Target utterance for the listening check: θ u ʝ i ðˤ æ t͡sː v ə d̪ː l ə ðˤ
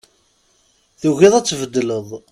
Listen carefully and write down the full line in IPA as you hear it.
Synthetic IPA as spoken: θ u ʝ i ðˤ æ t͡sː v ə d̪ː l ə ðˤ